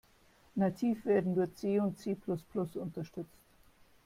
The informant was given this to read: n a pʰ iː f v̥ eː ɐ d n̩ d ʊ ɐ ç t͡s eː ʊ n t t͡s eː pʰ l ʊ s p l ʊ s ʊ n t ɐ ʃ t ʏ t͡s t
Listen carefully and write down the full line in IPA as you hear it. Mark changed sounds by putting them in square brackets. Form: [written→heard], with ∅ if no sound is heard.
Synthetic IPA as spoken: n a [pʰ→tʰ] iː f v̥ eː ɐ d n̩ d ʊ ɐ ç t͡s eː ʊ n t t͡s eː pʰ l ʊ s p l ʊ s ʊ n t ɐ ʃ t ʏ t͡s t